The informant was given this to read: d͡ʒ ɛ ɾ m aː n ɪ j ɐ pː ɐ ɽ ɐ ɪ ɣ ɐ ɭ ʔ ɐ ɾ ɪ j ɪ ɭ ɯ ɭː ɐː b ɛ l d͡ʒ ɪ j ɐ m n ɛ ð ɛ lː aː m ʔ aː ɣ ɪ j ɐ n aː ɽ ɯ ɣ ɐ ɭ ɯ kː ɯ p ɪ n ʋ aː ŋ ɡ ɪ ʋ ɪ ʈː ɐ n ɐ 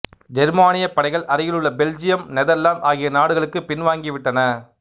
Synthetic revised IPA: d͡ʒ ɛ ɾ m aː n ɪ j ɐ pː ɐ ɽ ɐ ɪ ɣ ɐ ɭ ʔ ɐ ɾ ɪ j ɪ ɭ ɯ ɭː ɐ b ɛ l d͡ʒ ɪ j ɐ m n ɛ ð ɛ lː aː m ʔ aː ɣ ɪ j ɐ n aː ɽ ɯ ɣ ɐ ɭ ɯ kː ɯ p ɪ n ʋ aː ŋ ɡ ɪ ʋ ɪ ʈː ɐ n ɐ